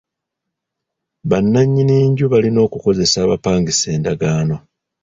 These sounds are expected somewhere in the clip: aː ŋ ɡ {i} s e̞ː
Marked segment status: correct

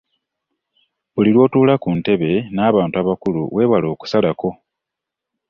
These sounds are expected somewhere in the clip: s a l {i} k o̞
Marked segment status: incorrect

